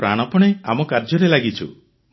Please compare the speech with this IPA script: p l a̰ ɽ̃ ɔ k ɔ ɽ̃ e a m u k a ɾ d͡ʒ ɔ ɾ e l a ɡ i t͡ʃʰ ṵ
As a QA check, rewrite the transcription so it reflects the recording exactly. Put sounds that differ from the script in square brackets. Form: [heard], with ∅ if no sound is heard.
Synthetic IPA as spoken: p [ɾ] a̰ ɽ̃ ɔ [p] ɔ ɽ̃ e a m [ɔ] k a ɾ d͡ʒ ɔ ɾ e l a ɡ i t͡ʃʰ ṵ